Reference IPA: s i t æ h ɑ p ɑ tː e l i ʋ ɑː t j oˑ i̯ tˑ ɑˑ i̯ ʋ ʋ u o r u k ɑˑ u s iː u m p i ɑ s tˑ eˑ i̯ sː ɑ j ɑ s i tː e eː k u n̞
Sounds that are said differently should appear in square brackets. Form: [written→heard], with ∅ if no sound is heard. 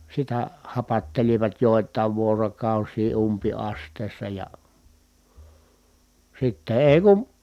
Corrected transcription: s i t æ h ɑ p ɑ tː e l i ʋ [ɑː→ɑ] t j oˑ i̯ tˑ ɑˑ i̯ ʋ ʋ u o r [u→o] k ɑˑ u s iː u m p i ɑ s tˑ eˑ i̯ sː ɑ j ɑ s i tː e eː k u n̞